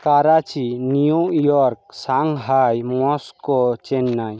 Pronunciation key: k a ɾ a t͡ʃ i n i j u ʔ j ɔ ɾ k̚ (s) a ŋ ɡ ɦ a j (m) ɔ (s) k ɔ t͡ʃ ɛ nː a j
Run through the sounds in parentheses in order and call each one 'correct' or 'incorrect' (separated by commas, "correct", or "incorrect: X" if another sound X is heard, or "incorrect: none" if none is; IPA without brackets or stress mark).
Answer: correct, correct, correct